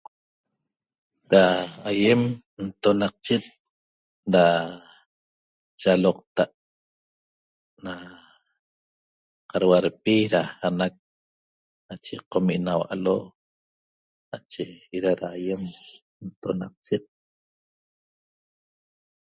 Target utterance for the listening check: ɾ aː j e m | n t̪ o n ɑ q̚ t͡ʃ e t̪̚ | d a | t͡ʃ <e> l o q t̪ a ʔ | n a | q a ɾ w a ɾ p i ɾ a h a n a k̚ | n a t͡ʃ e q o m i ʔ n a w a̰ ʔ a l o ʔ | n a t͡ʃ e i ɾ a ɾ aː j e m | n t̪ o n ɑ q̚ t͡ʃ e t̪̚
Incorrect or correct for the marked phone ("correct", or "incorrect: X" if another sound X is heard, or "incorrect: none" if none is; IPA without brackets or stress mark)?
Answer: incorrect: a